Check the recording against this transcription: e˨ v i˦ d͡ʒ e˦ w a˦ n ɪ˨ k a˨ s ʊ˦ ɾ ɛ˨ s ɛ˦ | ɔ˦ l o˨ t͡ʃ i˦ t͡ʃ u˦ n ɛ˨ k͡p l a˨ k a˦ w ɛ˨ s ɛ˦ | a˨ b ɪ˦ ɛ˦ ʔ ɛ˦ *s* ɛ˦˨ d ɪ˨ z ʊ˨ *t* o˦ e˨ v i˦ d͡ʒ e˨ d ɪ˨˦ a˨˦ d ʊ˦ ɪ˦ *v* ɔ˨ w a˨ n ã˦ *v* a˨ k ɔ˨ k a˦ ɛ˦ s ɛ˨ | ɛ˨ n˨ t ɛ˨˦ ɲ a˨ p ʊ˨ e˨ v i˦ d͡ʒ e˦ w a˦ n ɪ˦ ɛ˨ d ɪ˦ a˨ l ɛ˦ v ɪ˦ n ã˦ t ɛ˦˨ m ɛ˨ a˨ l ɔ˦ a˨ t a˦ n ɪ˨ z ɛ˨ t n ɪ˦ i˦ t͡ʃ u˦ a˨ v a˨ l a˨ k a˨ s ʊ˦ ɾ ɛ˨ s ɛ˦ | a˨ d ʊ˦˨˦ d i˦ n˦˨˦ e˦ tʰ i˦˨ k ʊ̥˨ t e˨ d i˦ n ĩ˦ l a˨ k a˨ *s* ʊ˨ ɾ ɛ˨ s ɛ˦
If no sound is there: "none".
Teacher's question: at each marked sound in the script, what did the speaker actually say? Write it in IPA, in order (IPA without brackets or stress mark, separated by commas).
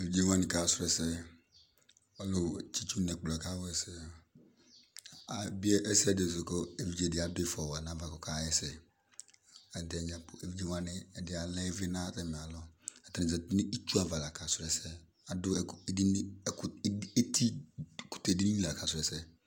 s, k, f, v, s